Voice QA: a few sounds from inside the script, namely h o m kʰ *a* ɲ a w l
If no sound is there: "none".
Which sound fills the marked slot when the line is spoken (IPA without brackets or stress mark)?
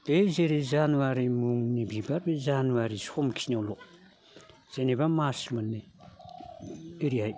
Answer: i